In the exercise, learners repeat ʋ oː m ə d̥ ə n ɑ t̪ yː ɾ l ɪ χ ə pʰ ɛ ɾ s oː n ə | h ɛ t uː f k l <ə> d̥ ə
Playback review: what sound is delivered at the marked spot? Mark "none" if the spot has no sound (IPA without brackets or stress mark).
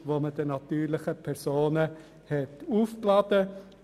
ɑ